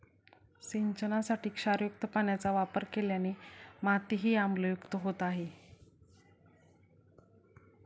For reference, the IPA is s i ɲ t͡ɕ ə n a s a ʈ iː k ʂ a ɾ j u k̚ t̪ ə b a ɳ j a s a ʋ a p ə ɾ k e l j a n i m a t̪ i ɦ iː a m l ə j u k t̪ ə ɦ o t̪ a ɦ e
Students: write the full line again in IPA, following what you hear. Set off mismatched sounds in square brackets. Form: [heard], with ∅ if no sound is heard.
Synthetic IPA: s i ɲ t͡ɕ ə n a s a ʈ iː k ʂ a ɾ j u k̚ t̪ ə [p] a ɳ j a [t͡s] a ʋ a p ə ɾ k e l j a n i m a t̪ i ɦ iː a m l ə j u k t̪ ə ɦ o t̪ a ɦ e